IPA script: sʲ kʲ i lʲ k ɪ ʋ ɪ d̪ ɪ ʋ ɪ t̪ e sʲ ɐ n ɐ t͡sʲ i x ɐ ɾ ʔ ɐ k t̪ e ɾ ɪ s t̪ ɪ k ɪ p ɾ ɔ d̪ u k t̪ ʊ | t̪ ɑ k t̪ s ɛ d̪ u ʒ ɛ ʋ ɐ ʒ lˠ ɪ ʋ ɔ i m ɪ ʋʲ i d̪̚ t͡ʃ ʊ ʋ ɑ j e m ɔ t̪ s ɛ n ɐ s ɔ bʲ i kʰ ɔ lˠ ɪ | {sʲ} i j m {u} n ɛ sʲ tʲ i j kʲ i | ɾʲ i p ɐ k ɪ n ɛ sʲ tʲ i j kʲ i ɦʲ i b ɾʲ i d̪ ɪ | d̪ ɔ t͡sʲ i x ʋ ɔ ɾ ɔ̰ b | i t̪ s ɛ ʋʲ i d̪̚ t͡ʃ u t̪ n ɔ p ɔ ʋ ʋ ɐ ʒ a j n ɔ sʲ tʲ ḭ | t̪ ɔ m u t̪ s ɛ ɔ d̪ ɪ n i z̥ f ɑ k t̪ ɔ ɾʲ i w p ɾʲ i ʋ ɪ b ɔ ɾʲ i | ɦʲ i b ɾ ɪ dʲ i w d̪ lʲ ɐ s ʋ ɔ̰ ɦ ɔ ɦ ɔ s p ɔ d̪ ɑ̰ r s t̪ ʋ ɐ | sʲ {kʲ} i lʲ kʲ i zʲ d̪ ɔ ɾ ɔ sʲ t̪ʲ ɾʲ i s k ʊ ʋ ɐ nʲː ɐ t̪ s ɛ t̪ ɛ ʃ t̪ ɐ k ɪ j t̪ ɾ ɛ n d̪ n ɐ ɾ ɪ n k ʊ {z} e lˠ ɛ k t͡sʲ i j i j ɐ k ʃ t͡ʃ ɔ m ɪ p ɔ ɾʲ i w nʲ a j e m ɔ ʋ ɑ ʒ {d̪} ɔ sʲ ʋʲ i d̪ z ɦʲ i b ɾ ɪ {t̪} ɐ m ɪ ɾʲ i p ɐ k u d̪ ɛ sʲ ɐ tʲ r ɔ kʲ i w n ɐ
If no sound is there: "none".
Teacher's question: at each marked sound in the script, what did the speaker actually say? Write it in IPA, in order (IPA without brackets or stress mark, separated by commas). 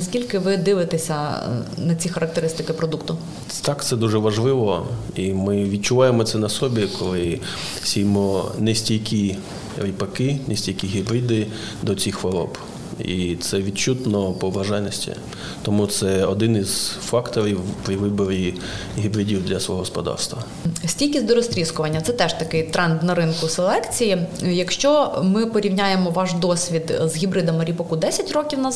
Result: sʲ, ɔ, tʲ, s, d̪, d̪